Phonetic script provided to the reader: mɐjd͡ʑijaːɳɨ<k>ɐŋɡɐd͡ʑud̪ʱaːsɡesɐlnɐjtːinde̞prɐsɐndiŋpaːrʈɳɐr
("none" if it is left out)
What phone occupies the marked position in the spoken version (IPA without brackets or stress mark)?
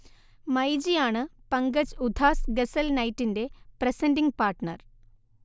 p